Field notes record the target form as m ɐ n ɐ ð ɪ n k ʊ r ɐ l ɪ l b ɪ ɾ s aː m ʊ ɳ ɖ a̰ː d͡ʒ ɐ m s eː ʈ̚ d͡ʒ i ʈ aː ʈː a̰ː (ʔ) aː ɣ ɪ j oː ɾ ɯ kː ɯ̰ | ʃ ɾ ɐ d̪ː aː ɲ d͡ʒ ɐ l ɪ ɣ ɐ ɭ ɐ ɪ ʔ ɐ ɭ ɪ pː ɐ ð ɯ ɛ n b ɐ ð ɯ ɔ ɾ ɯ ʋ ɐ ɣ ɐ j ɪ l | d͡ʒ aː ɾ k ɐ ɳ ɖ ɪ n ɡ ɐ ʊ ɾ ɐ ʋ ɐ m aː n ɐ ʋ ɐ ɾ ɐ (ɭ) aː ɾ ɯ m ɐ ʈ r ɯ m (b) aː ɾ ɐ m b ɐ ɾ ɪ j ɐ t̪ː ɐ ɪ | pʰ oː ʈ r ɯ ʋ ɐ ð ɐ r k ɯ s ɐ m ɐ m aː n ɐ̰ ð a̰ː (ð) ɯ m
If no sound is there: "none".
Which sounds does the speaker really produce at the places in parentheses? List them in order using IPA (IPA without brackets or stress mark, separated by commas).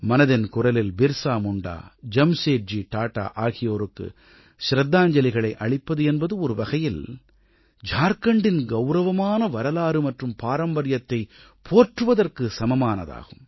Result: ʔ, l, p, ɣ